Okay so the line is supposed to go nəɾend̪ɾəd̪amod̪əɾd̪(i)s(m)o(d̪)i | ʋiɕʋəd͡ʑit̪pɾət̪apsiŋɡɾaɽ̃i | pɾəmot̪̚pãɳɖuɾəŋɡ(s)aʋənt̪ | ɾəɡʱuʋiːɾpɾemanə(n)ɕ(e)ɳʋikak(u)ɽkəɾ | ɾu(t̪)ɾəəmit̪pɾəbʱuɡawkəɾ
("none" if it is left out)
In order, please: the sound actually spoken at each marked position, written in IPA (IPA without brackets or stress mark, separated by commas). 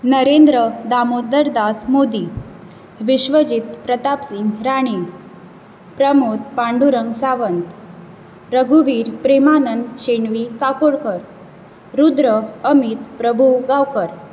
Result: a, m, d̪, s, n, e, o, d̪